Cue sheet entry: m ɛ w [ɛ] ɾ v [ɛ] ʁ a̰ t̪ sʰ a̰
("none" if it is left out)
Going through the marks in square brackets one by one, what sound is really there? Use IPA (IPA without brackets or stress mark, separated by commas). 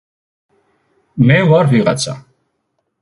a, i